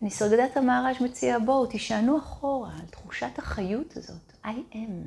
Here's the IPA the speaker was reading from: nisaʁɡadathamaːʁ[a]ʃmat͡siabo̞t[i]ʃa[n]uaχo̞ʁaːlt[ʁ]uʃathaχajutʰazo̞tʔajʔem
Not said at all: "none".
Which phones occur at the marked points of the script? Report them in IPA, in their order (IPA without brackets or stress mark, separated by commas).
a, i, n, χ